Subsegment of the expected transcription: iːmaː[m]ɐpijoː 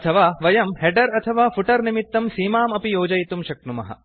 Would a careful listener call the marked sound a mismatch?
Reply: no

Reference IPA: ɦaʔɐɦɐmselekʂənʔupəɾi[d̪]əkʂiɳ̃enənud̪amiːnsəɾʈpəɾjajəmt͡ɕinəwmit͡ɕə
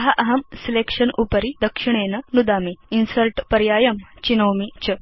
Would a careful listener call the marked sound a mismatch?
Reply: no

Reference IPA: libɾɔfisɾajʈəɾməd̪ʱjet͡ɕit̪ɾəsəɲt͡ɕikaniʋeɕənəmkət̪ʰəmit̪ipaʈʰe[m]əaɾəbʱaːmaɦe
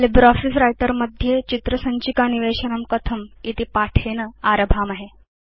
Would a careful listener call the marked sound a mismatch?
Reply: yes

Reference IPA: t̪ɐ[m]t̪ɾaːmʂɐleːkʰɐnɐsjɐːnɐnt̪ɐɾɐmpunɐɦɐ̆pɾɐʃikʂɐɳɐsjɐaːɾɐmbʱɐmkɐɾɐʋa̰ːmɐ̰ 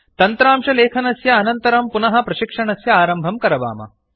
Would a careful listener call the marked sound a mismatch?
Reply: yes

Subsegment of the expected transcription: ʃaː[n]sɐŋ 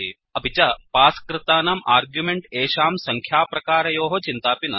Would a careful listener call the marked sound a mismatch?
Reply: yes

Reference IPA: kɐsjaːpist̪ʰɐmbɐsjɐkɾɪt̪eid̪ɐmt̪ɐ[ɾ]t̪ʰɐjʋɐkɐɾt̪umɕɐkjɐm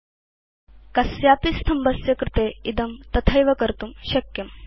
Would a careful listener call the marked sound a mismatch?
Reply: yes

